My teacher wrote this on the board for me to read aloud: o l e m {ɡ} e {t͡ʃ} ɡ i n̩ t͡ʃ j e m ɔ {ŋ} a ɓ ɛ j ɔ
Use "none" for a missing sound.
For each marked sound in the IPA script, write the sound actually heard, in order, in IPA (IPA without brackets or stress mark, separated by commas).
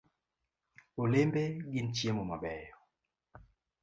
b, none, m